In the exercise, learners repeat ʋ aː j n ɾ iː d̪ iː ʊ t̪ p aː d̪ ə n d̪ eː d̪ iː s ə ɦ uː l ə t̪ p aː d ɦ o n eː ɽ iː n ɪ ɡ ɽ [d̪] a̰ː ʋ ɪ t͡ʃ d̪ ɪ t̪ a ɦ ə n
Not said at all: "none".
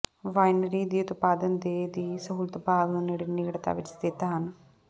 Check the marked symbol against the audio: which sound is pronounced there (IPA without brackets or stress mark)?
t̪